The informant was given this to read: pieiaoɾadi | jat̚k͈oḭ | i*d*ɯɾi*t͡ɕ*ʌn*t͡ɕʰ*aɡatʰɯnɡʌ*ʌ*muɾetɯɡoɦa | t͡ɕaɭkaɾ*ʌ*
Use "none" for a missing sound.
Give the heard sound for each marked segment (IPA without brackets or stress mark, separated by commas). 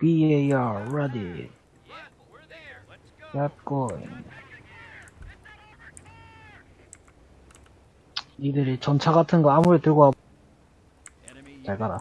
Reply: d, t͡ɕ, t͡ɕʰ, a, a